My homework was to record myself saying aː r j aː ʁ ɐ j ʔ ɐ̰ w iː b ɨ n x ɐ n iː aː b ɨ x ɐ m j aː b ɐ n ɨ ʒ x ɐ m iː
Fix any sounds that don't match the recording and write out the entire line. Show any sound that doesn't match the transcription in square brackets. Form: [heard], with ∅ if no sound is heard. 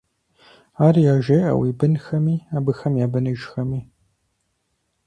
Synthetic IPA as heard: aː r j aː [ʒ] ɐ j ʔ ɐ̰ w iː b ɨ n x ɐ [m] iː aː b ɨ x ɐ m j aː b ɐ n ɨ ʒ x ɐ m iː